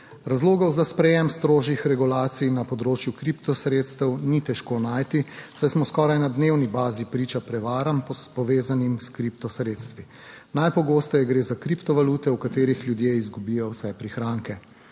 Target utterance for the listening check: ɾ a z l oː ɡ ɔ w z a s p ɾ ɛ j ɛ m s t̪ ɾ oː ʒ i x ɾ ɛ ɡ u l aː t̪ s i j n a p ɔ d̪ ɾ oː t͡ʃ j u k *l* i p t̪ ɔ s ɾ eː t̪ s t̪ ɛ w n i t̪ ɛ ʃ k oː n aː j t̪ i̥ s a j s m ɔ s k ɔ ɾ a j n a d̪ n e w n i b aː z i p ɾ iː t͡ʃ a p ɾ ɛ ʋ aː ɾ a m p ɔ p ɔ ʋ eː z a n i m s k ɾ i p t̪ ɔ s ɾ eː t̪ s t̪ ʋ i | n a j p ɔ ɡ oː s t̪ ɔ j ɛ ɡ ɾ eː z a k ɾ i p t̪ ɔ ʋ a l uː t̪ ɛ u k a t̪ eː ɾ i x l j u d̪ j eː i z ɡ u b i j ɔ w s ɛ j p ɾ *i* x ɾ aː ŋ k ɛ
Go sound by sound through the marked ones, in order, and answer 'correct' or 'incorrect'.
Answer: incorrect: ɾ, correct

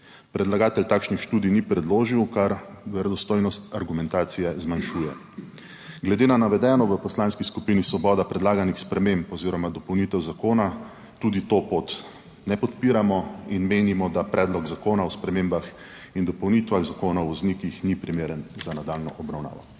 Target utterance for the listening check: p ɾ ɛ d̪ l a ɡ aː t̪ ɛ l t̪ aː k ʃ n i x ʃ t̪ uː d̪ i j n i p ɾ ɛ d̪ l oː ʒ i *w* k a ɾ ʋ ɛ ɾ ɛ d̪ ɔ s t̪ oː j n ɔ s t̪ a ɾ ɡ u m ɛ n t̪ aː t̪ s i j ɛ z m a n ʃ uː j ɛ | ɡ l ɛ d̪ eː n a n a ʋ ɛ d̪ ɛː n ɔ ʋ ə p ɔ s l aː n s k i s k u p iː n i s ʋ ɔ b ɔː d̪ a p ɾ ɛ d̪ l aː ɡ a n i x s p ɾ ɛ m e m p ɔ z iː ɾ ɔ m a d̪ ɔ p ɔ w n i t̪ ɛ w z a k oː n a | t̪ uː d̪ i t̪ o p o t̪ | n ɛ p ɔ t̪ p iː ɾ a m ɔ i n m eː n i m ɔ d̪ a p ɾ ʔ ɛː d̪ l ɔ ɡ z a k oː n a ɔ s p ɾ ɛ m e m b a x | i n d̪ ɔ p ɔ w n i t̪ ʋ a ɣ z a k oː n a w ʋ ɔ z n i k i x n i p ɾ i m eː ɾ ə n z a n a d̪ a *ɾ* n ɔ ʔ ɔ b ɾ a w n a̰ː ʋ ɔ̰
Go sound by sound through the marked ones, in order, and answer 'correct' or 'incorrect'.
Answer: correct, incorrect: l

